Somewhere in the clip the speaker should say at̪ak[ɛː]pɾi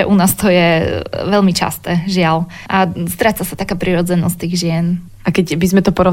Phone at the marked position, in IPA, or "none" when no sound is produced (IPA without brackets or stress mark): aː